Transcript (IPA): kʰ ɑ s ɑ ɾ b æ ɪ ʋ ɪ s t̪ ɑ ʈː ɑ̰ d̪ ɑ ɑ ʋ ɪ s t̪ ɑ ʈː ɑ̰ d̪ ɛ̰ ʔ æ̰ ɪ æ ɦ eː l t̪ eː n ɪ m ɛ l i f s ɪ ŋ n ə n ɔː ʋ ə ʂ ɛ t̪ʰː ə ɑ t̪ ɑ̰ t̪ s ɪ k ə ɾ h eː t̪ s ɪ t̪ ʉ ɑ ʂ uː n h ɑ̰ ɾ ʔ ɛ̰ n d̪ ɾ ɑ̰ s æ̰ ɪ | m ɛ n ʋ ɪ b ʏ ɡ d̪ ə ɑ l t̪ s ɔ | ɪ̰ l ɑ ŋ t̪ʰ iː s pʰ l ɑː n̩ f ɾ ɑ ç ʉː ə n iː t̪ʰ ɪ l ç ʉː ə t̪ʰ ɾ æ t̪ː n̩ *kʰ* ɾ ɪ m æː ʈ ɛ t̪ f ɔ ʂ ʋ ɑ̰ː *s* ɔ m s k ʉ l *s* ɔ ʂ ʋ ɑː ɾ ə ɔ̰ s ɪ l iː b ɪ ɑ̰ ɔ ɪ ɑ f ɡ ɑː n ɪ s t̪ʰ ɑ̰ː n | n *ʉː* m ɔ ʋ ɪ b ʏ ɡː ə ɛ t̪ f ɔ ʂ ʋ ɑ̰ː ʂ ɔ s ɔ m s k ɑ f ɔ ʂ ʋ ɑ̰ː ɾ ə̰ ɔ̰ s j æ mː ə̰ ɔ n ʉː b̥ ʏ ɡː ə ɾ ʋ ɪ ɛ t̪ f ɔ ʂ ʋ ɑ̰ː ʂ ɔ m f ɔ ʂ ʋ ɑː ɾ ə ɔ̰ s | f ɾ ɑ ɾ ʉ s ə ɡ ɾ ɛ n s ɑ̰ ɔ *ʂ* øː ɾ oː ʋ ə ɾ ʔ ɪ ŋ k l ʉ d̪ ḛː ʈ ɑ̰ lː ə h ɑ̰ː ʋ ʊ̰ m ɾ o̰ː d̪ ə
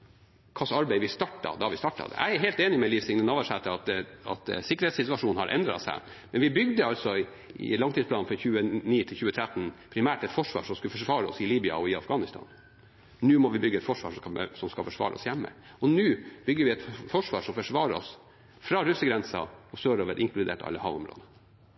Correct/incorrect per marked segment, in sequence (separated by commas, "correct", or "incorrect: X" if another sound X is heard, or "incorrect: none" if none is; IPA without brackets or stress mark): incorrect: pʰ, incorrect: ʂ, incorrect: f, correct, incorrect: s